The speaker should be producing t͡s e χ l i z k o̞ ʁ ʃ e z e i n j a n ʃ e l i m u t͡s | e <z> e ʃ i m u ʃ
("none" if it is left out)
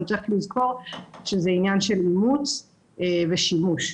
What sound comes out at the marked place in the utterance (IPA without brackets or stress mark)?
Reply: v